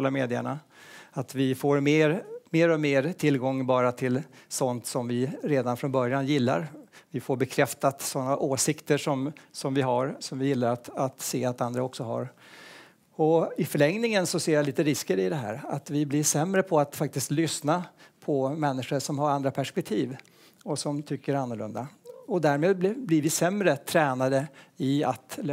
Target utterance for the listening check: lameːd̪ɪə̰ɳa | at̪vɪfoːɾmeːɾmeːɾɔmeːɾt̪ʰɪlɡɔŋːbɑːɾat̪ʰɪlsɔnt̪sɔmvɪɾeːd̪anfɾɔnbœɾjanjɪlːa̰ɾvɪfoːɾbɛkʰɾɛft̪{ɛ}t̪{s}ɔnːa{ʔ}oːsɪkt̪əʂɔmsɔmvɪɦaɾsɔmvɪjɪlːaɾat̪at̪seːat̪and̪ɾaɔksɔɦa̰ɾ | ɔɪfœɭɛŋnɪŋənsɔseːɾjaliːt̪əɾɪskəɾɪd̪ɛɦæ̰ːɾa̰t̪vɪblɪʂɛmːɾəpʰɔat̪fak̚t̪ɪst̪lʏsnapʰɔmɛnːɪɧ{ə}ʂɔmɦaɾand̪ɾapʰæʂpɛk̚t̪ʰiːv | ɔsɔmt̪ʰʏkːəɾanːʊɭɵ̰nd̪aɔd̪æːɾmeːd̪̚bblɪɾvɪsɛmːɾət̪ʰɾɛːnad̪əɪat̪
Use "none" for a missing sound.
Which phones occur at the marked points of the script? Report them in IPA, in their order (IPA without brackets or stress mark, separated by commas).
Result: a, s, ʔ, ə